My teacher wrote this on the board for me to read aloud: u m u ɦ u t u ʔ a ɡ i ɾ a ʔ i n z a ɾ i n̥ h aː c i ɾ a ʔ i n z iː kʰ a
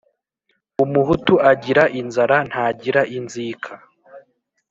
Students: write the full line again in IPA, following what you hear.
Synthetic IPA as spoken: u m u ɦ u t u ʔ a ɟ i ɾ a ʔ i n z a ɾ a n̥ h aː ɟ i ɾ a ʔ i n z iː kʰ a